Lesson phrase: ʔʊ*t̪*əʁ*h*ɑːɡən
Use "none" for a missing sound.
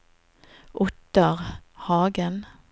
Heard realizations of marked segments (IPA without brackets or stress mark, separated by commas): t̪, h